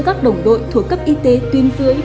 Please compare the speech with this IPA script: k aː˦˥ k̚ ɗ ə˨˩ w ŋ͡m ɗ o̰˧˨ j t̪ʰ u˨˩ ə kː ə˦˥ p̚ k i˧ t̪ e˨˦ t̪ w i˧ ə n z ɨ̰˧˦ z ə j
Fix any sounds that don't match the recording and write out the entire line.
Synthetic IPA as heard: k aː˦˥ k̚ ɗ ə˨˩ w ŋ͡m ɗ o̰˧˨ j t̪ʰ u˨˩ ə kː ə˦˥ p̚ ʔ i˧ t̪ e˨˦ t̪ w i˧ ə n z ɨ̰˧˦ ə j